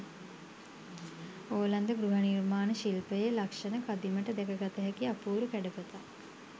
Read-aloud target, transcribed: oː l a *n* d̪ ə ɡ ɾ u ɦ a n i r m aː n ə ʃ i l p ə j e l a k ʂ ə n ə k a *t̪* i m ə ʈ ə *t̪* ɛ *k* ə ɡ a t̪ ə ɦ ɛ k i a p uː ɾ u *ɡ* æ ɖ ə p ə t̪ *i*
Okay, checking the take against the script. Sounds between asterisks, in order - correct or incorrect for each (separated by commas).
correct, incorrect, incorrect, correct, incorrect, incorrect